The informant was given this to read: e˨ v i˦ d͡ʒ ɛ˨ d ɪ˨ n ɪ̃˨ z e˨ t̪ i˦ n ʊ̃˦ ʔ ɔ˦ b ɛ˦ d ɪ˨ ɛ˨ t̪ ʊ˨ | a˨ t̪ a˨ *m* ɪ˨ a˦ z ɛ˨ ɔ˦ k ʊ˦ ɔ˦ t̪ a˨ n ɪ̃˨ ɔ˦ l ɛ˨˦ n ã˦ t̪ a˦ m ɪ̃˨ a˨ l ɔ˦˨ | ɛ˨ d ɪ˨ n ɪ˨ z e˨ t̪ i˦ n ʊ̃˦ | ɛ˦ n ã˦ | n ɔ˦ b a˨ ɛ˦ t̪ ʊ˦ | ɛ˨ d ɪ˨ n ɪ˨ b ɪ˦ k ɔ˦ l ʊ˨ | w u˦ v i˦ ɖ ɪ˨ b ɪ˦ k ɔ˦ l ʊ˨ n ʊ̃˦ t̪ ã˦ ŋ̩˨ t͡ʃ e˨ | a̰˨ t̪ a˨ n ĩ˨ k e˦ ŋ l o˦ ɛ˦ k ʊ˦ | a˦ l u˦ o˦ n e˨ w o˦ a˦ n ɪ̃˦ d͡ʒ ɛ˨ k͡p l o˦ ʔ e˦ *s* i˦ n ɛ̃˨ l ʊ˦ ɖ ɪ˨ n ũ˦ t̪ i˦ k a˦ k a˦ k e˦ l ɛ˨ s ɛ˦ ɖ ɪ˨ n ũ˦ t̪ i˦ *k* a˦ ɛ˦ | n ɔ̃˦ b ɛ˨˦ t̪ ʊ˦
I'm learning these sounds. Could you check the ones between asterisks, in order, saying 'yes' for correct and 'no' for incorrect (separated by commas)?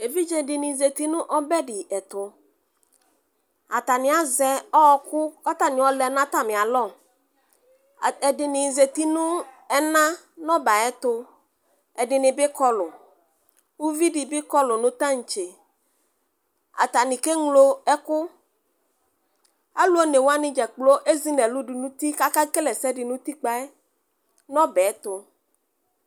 no, no, no